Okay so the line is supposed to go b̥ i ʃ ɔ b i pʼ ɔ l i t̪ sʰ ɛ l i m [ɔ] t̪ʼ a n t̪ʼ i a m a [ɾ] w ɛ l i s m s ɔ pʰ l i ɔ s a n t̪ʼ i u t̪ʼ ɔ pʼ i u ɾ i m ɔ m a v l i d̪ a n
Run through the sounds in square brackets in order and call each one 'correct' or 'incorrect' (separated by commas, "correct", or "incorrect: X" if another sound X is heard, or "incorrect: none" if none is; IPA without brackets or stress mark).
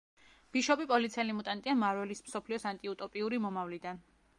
incorrect: u, correct